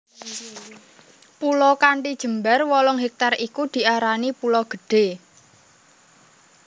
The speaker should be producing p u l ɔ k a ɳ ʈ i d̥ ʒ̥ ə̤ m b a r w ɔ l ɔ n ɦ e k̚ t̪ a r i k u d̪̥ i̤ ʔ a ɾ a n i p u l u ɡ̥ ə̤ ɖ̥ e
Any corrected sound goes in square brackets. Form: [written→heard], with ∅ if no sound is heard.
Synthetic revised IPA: p u l ɔ k a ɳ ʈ i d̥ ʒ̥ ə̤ m b a r w ɔ l ɔ [n→ŋ] ɦ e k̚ t̪ a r i k u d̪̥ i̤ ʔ a ɾ a n i p u l [u→ɔ] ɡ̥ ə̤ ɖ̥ e